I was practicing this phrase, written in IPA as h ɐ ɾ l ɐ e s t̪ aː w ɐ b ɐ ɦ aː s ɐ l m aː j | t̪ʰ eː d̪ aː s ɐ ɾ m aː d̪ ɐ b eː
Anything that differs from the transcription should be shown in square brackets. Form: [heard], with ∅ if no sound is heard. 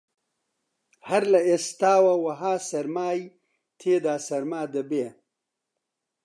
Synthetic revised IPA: h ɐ ɾ l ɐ e s t̪ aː w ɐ [w] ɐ ɦ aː s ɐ [ɾ] m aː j | t̪ʰ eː d̪ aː s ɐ ɾ m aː d̪ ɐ b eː